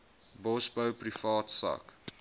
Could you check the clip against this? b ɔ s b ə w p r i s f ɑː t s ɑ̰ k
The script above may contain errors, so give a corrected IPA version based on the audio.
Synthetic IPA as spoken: b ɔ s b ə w p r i f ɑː t s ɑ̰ k